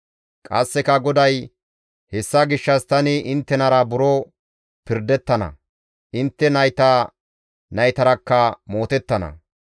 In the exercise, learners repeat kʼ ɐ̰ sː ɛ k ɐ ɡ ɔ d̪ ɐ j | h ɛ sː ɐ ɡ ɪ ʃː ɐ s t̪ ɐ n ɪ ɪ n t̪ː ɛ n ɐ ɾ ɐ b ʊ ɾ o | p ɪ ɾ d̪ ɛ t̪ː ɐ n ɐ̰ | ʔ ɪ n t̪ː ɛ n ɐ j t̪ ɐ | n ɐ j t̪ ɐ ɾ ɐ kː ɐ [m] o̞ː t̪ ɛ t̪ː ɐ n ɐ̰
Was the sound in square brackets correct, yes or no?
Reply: yes